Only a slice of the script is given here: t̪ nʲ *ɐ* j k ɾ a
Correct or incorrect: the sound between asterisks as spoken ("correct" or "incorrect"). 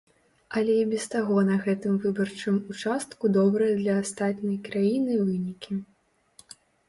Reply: correct